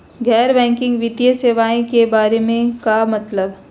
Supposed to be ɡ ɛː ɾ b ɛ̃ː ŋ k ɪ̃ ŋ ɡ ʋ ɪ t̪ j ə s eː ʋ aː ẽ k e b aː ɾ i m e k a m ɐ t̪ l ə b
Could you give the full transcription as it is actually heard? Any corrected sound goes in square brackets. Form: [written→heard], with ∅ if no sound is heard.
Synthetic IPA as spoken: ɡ ɛː ɾ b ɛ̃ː ŋ k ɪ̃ ŋ ɡ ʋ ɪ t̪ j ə s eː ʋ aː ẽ k e b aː ɾ [i→e] m [e→ẽ] k a m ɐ t̪ l ə b